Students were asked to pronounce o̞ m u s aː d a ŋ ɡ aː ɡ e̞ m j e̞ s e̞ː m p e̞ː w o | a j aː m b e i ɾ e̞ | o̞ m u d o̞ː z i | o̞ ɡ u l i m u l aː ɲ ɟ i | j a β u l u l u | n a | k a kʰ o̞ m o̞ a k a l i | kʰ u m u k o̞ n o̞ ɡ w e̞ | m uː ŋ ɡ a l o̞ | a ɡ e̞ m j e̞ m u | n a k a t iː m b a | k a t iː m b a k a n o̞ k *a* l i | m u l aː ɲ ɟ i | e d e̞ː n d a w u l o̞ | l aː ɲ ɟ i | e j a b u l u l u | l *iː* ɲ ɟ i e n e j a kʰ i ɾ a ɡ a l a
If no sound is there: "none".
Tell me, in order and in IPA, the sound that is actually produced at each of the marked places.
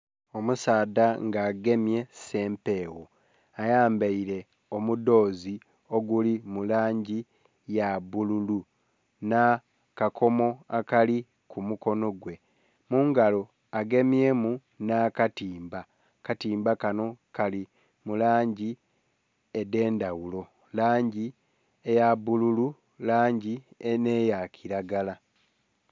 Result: a, aː

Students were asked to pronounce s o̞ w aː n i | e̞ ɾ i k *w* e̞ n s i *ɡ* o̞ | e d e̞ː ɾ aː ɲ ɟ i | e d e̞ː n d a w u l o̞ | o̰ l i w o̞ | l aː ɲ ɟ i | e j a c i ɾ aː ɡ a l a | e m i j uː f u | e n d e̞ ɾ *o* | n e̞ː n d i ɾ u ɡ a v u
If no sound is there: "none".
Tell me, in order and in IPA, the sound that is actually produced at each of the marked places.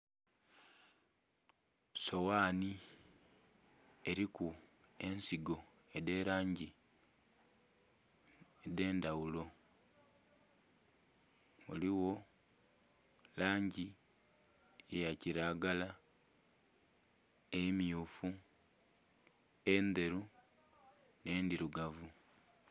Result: u, ɡ, u

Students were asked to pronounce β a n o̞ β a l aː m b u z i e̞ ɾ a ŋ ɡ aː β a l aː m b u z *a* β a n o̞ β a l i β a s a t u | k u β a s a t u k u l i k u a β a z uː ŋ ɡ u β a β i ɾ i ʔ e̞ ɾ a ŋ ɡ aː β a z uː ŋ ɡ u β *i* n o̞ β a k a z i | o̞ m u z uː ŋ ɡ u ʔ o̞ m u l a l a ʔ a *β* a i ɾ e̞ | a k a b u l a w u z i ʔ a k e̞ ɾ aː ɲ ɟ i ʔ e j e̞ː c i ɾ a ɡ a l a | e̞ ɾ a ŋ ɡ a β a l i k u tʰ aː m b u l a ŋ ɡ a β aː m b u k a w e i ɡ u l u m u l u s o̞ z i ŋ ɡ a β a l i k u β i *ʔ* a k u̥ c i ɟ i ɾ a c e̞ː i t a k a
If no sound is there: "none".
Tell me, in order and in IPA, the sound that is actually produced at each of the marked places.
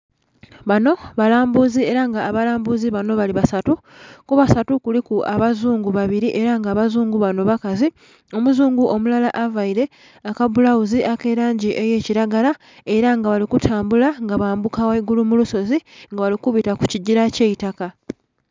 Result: i, a, v, t

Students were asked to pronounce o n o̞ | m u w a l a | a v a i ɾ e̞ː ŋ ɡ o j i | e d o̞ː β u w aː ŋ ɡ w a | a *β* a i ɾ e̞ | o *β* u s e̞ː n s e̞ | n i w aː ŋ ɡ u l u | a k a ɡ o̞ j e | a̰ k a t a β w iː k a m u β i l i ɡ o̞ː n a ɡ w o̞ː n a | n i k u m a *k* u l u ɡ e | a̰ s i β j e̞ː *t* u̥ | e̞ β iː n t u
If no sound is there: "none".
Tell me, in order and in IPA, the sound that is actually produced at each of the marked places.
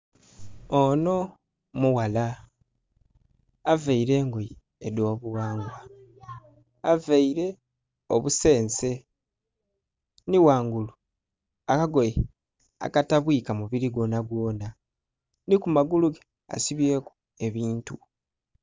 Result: v, β, ɡ, k

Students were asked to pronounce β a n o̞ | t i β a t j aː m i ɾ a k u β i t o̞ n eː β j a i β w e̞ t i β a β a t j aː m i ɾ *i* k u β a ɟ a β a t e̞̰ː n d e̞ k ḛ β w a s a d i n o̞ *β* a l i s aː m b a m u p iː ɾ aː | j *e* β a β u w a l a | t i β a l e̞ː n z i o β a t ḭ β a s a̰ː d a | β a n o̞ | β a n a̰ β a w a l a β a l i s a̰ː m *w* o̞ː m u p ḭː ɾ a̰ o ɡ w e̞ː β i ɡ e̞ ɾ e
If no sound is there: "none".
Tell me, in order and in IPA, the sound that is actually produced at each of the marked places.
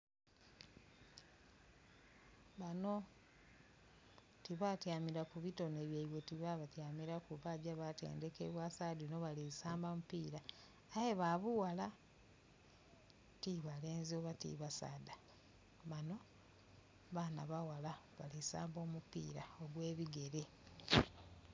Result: a, β, e, b

